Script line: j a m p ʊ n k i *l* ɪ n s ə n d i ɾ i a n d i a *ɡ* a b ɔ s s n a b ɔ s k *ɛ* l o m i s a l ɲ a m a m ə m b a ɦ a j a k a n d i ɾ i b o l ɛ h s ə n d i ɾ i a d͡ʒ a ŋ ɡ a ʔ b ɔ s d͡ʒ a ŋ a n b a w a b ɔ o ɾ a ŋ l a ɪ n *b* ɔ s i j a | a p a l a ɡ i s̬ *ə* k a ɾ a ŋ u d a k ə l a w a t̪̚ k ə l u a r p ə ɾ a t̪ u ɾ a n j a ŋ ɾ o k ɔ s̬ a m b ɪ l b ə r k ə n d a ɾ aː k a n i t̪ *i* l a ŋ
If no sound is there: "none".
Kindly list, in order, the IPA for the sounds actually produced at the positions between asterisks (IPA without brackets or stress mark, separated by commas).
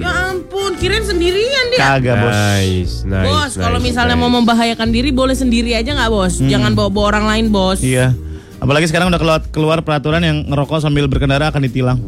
ɾ, ɡ, a, b, ə, i